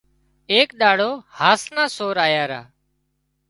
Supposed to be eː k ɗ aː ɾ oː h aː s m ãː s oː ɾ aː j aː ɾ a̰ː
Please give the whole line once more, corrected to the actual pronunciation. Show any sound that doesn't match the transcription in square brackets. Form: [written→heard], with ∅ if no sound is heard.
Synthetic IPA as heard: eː k ɗ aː [ɾ→ɽ] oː h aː s [m→n] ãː s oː ɾ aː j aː ɾ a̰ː